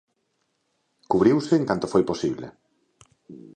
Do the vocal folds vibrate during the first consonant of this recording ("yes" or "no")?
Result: no